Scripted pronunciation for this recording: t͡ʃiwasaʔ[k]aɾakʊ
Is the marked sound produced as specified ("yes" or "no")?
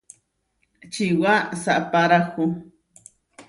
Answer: no